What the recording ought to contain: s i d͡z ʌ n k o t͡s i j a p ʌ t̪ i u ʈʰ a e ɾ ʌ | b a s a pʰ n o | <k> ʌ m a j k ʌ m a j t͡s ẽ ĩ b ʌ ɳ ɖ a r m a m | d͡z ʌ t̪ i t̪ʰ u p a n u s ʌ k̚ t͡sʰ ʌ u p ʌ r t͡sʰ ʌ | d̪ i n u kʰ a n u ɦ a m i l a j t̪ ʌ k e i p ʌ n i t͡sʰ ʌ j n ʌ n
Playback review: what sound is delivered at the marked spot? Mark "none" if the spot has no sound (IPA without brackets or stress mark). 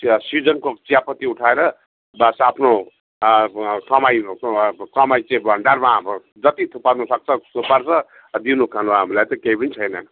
k